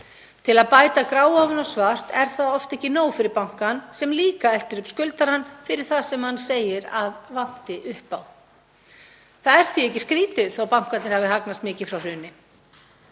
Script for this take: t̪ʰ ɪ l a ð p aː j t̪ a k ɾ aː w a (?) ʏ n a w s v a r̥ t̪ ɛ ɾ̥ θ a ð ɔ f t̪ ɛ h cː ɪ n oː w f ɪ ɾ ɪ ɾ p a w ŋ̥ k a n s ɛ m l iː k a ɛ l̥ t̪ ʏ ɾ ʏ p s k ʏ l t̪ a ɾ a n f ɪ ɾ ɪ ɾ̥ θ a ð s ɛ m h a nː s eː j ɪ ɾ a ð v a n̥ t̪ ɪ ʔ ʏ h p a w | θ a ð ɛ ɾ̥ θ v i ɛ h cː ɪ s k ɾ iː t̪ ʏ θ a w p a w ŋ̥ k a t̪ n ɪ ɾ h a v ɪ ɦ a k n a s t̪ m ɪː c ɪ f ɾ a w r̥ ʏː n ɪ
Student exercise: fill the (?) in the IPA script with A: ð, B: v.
B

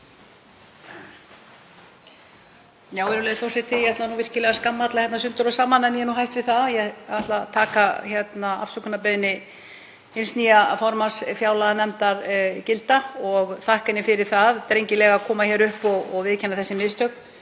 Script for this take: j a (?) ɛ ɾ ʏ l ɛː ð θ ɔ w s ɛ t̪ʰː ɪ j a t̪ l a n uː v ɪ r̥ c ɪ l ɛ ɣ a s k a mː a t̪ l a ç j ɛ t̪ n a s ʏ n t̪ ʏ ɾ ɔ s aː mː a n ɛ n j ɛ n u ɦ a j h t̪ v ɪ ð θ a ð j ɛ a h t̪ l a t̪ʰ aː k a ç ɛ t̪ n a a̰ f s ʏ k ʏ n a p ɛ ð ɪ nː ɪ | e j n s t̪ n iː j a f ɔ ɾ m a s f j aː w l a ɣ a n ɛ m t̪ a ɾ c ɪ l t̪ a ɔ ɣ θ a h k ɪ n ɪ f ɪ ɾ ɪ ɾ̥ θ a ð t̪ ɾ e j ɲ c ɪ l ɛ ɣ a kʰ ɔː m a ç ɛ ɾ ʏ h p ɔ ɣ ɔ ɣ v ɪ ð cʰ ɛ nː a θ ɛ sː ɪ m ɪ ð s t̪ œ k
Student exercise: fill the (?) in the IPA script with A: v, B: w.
B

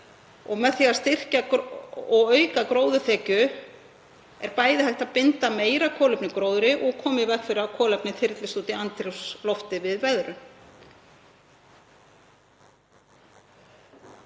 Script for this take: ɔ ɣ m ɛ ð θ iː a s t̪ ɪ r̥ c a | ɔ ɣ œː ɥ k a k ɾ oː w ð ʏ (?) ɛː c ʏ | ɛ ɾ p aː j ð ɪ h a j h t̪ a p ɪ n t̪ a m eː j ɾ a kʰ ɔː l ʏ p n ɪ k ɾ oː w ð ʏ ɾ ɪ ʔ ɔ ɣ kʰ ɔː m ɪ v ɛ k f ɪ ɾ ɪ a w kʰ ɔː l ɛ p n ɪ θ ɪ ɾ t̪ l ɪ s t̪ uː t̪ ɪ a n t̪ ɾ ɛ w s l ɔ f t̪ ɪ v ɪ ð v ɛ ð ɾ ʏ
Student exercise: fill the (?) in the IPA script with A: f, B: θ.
B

